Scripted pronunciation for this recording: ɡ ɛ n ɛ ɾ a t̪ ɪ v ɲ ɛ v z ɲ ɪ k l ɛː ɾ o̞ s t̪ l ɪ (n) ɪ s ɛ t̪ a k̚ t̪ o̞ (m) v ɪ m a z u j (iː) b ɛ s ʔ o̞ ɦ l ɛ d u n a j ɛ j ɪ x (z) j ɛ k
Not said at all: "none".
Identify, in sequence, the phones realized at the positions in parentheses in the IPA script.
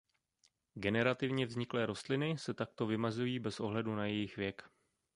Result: n, none, iː, v

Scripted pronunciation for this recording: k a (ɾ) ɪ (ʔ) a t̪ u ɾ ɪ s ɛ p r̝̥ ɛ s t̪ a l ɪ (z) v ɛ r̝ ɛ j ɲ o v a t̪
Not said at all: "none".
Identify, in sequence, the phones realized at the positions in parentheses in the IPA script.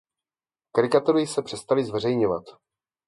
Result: ɾ, k, z

